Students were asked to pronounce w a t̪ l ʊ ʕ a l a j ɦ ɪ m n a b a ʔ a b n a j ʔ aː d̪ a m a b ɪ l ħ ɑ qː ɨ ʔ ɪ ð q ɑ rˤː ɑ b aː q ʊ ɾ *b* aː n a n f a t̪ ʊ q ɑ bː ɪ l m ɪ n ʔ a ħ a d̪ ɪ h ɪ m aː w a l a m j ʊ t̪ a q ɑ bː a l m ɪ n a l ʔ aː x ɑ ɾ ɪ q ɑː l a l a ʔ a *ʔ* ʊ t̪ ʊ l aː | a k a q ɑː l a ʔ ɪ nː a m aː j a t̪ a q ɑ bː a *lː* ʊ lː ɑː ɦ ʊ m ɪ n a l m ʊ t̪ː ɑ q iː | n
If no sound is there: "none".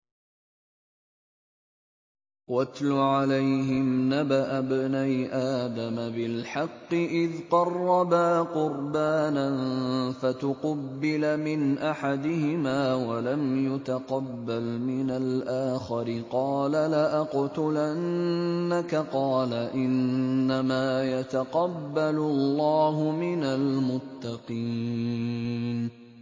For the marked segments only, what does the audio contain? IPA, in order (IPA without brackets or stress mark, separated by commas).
b, q, l